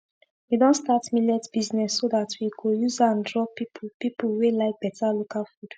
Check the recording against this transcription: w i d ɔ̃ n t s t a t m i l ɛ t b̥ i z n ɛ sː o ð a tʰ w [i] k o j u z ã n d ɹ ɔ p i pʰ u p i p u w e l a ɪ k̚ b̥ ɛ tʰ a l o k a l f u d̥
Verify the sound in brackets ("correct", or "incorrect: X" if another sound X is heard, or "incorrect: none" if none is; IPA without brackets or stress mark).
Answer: correct